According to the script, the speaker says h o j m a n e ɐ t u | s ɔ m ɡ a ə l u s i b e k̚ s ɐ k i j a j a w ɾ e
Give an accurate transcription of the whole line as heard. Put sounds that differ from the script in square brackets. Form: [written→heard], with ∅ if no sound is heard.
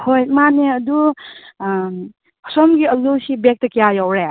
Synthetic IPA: h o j m a n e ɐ [t→d] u | s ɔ m ɡ [a→i] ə l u s i b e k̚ [s→t] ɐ k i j a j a w ɾ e